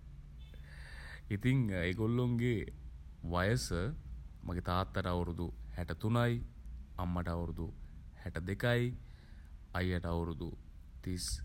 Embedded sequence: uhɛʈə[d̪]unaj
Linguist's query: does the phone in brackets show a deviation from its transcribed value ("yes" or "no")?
yes